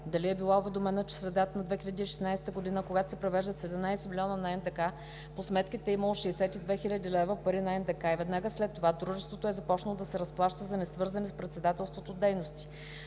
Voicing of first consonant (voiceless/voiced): voiced